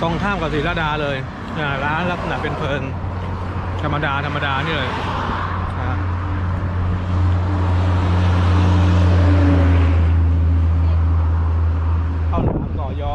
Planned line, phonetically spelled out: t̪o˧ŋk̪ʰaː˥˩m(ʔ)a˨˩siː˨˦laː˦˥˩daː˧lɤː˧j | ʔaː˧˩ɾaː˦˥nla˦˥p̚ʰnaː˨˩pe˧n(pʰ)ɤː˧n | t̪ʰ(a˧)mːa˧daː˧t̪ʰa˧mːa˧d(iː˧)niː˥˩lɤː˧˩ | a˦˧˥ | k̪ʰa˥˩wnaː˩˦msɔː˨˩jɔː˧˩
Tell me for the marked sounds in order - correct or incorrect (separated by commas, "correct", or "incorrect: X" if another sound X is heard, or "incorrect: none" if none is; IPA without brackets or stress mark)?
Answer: incorrect: k, correct, correct, incorrect: aː˧